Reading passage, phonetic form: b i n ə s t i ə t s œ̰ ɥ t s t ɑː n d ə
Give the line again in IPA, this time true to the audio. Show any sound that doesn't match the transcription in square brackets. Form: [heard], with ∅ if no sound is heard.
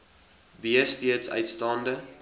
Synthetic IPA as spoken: b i [∅] ə s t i ə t s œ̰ ɥ t s t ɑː n d ə